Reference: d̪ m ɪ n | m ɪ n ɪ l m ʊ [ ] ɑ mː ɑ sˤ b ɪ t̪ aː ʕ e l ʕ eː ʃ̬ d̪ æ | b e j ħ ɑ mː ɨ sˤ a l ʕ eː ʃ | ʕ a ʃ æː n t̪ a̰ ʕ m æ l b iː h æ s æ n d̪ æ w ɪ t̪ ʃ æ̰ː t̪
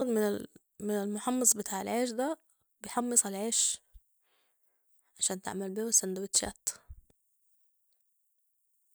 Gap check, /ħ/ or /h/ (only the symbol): ħ